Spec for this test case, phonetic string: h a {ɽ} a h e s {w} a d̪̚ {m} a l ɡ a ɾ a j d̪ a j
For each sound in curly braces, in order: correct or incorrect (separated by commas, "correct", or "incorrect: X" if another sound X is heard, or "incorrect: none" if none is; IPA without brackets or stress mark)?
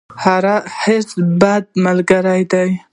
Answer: incorrect: ɾ, incorrect: b, correct